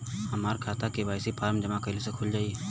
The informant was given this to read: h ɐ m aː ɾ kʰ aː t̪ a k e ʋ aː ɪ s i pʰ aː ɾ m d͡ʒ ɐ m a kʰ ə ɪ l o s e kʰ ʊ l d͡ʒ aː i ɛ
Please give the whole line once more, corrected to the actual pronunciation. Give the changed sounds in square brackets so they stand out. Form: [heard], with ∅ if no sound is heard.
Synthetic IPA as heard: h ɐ m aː ɾ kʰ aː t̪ a k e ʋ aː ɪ s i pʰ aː ɾ m d͡ʒ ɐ m a [k] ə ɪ l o s e kʰ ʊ l d͡ʒ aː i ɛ